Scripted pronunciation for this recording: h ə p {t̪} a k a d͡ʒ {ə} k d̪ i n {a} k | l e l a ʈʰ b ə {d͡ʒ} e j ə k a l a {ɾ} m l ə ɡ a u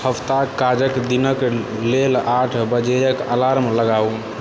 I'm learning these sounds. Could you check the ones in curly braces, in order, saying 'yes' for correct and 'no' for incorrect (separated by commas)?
yes, yes, no, yes, yes